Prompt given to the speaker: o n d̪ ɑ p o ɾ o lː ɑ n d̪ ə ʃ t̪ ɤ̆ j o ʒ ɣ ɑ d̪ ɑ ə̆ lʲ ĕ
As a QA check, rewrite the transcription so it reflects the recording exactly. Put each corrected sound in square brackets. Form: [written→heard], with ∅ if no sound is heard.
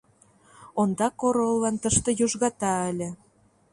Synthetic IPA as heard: o n d̪ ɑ [p→k] o ɾ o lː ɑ n [d̪→t̪] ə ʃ t̪ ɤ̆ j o ʒ ɣ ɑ [d̪→t̪] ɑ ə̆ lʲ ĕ